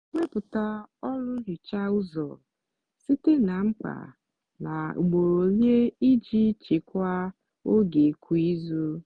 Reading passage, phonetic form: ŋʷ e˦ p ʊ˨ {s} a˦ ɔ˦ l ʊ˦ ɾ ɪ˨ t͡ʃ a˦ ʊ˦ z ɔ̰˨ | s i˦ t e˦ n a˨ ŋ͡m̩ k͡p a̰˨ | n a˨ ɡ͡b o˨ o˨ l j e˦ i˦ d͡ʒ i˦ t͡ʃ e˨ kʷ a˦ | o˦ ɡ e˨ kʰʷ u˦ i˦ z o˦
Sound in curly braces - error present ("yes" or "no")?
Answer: yes